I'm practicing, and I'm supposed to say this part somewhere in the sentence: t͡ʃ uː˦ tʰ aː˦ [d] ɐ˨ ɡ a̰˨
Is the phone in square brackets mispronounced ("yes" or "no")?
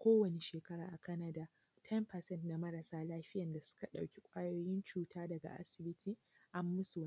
no